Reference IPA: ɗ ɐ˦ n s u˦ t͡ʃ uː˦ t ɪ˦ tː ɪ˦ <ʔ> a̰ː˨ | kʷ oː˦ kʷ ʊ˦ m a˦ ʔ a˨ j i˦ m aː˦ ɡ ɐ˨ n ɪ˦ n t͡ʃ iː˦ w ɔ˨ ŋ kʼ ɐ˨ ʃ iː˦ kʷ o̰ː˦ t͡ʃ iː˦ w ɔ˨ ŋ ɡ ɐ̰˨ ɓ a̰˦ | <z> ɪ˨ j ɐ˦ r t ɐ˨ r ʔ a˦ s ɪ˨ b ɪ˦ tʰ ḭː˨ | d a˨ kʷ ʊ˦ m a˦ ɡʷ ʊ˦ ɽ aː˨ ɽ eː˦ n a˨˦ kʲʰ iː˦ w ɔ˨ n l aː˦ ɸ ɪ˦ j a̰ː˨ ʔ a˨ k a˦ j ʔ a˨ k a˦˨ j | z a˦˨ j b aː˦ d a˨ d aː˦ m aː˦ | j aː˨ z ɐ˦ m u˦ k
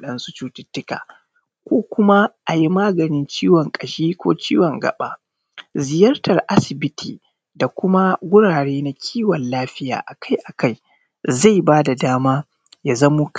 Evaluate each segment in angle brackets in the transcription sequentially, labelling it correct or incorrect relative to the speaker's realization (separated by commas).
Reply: incorrect, correct